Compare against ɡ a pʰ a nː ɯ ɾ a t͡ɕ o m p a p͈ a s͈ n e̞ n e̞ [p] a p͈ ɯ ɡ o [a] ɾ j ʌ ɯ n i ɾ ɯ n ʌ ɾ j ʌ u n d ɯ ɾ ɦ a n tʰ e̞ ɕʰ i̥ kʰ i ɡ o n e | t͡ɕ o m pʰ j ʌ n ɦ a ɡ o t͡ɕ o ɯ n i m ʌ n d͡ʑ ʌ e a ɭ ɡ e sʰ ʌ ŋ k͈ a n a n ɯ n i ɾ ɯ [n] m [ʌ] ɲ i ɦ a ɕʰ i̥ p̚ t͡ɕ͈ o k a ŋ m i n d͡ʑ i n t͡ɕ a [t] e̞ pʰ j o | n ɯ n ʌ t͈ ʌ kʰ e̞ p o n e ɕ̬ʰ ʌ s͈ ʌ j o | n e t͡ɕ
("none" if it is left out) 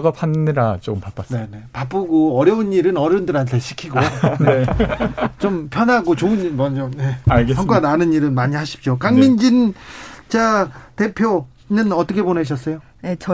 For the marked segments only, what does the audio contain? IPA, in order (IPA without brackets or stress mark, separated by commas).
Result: p, ʌ, n, a, t